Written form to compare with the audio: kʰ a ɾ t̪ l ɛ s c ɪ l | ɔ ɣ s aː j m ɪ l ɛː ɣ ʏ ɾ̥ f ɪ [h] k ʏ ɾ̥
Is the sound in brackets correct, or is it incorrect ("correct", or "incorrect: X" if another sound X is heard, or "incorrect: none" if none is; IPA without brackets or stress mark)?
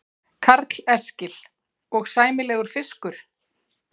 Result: incorrect: s